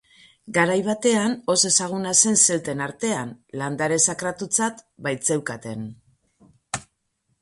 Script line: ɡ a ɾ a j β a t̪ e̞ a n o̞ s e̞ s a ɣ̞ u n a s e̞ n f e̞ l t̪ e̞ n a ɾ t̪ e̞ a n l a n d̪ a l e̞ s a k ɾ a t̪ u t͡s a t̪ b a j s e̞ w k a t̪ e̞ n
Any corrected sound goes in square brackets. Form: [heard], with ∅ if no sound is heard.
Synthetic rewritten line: ɡ a ɾ a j β a t̪ e̞ a n o̞ s e̞ s a ɣ̞ u n a s e̞ n [s] e̞ l t̪ e̞ n a ɾ t̪ e̞ a n l a n d̪ a [ɾ] e̞ s a k ɾ a t̪ u t͡s a t̪ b a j [t͡s] e̞ w k a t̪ e̞ n